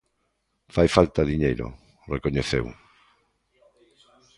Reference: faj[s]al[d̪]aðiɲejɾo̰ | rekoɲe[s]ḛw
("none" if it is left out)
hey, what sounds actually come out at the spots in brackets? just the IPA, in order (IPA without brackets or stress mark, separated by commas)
f, t̪, θ